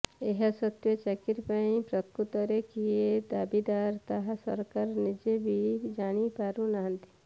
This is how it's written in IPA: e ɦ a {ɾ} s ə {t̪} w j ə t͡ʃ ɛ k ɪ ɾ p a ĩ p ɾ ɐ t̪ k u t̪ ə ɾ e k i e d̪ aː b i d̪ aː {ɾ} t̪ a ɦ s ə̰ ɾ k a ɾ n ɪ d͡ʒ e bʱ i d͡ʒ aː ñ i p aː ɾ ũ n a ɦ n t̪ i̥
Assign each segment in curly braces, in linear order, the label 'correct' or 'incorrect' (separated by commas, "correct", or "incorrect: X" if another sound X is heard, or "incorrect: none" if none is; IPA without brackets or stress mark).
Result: incorrect: none, correct, correct